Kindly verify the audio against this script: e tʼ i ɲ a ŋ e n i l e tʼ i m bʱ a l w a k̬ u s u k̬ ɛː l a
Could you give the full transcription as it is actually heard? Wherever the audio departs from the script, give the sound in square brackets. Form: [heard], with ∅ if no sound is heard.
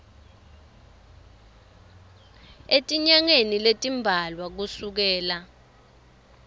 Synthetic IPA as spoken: e tʼ i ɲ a ŋ e n i l e tʼ i m bʱ a l w a k̬ u s u k̬ ɛː l a